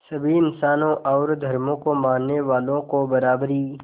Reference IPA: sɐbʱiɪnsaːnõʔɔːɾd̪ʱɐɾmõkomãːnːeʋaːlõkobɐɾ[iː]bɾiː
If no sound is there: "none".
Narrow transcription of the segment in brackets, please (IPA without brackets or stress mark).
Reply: aː